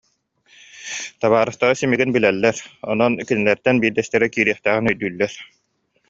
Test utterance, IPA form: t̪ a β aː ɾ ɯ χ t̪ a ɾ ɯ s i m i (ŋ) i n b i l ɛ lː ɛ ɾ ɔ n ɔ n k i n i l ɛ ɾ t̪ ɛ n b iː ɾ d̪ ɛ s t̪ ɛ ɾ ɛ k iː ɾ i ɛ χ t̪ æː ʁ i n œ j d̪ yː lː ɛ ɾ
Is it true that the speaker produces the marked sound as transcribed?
no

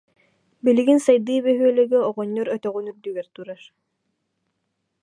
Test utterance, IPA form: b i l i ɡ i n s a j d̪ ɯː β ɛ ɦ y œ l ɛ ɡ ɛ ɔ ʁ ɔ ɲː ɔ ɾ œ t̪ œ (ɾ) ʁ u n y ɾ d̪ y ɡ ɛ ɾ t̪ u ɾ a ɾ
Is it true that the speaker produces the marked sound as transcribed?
no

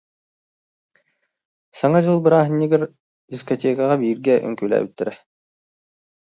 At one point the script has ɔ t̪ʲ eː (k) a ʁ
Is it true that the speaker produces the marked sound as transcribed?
yes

